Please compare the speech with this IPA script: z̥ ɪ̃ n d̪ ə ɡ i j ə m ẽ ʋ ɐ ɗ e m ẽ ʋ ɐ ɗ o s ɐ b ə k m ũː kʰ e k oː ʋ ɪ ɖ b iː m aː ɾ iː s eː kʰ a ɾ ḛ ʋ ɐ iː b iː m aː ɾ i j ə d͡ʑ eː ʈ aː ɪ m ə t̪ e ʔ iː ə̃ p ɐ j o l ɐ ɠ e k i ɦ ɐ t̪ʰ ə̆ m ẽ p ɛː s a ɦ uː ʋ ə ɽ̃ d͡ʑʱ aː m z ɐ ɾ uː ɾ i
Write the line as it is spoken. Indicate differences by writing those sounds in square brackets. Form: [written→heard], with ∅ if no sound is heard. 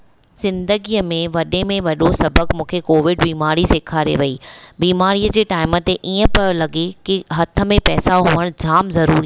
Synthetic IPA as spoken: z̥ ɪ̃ n d̪ ə ɡ i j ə m ẽ ʋ ɐ ɗ e m ẽ ʋ ɐ ɗ o s ɐ b ə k m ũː kʰ e k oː ʋ ɪ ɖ b iː m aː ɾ [iː→i] s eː kʰ a ɾ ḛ ʋ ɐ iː b iː m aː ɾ i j ə d͡ʑ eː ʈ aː ɪ m ə t̪ e ʔ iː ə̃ p ɐ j o l ɐ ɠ e k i ɦ ɐ t̪ʰ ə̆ m ẽ p ɛː s a ɦ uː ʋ ə ɽ̃ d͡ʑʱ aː m z ɐ ɾ uː ɾ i